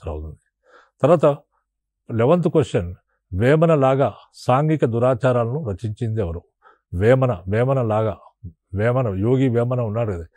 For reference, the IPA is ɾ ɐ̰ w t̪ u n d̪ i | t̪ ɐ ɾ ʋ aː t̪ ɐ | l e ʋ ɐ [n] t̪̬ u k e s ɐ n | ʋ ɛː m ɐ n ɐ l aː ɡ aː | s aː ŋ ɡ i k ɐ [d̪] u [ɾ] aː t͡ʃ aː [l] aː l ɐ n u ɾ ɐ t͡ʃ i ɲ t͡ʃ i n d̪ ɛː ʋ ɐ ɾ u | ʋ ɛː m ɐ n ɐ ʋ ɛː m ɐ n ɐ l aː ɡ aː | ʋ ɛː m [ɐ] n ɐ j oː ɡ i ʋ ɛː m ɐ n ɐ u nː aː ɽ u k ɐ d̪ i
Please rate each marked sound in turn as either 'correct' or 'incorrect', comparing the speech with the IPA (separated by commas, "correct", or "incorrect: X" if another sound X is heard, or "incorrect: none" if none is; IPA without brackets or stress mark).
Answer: correct, correct, correct, incorrect: ɾ, correct